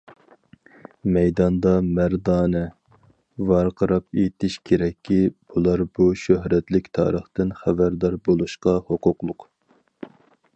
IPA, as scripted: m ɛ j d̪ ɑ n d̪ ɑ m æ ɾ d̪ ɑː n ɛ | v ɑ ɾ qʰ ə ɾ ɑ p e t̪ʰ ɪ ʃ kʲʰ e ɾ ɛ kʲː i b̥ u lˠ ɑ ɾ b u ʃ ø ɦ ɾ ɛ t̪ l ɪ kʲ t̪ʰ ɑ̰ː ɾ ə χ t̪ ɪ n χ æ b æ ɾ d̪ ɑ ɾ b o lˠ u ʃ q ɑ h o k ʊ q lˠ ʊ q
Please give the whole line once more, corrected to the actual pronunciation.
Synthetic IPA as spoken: m ɛ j d̪ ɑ n d̪ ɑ m æ ɾ d̪ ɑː n ɛ | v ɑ ɾ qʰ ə ɾ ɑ p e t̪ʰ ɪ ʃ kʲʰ e ɾ ɛ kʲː i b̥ u lˠ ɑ ɾ b u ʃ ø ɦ ɾ ɛ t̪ l ɪ kʲ t̪ʰ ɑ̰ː ɾ ə χ t̪ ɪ n χ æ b æ ɾ d̪ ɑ ɾ b o lˠ u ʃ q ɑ h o q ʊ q lˠ ʊ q